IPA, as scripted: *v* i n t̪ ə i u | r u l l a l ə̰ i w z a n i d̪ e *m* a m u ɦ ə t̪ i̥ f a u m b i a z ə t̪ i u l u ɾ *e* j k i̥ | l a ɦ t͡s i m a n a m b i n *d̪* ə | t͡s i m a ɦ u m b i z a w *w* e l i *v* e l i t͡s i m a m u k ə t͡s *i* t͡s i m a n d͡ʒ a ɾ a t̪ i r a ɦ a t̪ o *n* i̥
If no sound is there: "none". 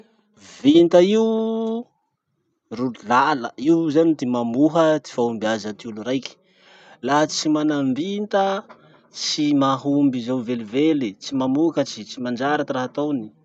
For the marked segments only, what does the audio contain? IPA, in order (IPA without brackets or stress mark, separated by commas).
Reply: v, m, a, t̪, v, v, i, n